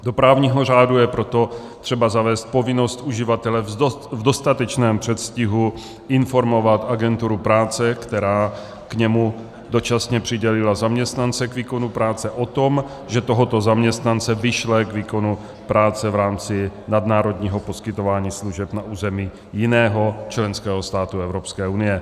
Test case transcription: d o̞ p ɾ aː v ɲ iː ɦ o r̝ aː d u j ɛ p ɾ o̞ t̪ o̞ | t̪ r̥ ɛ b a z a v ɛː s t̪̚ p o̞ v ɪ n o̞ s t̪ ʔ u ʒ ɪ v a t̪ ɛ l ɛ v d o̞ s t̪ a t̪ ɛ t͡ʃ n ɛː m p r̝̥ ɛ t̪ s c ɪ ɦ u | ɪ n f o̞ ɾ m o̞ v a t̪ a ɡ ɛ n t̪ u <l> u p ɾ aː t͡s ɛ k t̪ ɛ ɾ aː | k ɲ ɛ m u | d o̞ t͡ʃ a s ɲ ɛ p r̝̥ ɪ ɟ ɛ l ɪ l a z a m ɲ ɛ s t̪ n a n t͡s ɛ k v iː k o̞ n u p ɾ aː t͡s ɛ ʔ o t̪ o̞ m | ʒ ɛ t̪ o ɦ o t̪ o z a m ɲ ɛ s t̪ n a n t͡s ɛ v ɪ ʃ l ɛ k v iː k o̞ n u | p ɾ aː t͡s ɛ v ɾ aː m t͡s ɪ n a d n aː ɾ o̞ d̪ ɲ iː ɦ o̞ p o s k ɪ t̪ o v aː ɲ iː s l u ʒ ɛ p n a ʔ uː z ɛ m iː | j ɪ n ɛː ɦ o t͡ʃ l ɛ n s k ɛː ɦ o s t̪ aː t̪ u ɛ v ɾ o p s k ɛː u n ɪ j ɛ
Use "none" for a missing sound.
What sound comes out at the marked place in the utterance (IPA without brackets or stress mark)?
ɾ